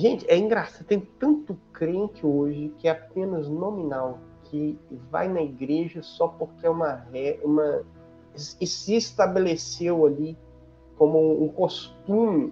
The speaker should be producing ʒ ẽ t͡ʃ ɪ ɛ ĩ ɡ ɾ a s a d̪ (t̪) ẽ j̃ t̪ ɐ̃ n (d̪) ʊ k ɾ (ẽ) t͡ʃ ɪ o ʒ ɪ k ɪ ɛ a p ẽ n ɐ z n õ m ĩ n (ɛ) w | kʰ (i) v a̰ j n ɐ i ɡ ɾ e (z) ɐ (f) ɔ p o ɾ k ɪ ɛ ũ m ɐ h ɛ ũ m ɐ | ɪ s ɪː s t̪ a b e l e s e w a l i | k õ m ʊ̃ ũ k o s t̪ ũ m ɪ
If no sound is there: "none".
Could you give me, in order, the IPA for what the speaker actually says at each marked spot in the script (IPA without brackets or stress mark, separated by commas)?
t̪, t̪, ẽ, a, ɪ, ʒ, s